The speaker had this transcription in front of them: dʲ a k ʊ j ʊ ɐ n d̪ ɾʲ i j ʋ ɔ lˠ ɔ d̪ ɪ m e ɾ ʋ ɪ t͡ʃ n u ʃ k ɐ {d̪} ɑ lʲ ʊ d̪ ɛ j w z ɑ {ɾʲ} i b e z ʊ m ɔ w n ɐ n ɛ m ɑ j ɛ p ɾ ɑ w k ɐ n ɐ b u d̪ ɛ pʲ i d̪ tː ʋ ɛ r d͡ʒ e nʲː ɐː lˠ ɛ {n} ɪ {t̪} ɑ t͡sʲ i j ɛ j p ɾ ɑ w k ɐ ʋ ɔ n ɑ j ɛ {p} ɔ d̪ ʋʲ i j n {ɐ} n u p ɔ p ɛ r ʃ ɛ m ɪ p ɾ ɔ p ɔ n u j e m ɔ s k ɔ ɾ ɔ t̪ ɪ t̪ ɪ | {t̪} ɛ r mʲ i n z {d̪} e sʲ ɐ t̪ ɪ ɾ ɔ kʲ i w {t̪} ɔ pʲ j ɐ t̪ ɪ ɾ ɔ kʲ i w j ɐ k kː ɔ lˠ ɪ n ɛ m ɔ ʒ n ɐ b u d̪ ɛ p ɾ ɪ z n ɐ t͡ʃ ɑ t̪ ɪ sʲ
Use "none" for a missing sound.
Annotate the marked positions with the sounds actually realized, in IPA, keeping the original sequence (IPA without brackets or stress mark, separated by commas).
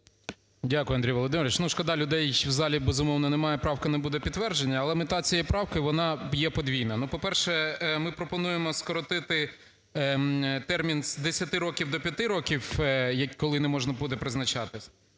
d̪, lʲ, m, t̪, p, ɐ, t̪, d̪, d̪